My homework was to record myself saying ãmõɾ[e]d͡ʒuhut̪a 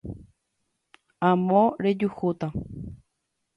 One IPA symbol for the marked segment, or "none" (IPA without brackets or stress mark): e